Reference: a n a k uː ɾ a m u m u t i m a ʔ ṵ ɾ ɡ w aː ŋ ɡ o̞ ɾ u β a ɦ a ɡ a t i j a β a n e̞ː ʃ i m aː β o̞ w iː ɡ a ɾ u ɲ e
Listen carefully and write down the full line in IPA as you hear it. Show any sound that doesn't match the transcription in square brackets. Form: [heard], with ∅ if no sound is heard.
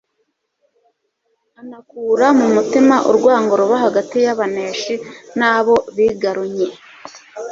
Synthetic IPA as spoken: a n a k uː ɾ a m u m u t i m a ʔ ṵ ɾ ɡ w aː ŋ ɡ o̞ ɾ u β a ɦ a ɡ a t i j a β a n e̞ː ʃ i [n] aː β o̞ [β] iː ɡ a ɾ u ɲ e